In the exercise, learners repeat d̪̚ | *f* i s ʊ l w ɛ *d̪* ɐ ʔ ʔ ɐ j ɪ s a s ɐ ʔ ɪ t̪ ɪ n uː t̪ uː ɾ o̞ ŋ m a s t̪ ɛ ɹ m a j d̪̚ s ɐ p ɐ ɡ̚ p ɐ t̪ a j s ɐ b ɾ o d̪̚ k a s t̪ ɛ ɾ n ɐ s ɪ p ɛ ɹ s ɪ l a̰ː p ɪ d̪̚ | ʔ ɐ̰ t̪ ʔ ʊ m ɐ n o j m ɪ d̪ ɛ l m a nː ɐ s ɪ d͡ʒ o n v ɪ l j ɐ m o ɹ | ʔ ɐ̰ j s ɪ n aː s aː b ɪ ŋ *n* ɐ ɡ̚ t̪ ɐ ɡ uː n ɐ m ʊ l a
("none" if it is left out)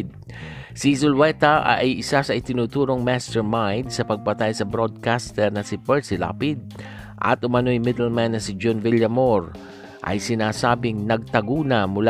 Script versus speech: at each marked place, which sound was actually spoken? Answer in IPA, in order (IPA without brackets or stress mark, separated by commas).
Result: s, t̪, n